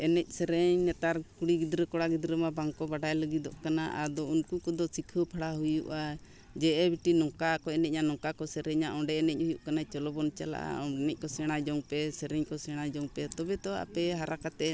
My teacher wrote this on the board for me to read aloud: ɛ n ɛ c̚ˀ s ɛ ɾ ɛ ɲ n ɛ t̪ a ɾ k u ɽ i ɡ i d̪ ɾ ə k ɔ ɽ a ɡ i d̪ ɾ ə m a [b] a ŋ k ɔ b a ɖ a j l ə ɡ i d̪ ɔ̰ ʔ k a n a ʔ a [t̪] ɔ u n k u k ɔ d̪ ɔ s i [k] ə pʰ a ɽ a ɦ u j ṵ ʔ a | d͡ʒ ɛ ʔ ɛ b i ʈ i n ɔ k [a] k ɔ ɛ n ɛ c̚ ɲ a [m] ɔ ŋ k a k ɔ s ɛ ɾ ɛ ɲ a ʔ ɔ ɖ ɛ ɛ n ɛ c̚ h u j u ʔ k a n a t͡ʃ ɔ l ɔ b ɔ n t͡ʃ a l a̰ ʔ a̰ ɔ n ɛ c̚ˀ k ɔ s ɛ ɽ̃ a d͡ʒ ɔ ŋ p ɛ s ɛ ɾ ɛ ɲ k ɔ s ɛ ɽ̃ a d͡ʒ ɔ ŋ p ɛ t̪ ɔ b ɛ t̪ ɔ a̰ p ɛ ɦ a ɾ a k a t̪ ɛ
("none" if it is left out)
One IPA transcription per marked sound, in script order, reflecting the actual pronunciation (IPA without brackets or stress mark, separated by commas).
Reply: b, d̪, kʰ, a, n